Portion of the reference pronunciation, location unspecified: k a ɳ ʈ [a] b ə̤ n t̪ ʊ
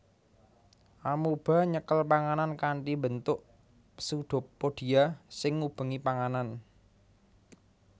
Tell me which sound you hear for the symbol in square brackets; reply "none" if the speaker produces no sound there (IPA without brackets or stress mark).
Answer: i